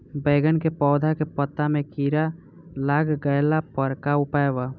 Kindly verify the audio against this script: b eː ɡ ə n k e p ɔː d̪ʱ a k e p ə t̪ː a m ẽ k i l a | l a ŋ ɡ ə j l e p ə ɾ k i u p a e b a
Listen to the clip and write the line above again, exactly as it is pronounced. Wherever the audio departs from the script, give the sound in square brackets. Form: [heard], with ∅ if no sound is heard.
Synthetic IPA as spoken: b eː ɡ ə n k e p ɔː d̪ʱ a k e p ə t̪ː a m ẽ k i [ɾ] a | l a [ɡ] ɡ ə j l [a] p ə ɾ k [a] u p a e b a